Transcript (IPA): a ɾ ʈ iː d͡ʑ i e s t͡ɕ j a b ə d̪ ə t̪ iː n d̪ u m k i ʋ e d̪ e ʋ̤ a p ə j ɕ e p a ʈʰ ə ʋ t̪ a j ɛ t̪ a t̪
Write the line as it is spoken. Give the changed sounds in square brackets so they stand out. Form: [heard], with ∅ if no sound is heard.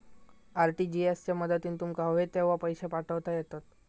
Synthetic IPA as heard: a ɾ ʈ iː d͡ʑ i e s t͡ɕ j a [m] ə d̪ ə t̪ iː n [t̪] u m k [a] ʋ e [t̪] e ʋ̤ a p ə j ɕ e p a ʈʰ ə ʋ t̪ a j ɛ t̪ a t̪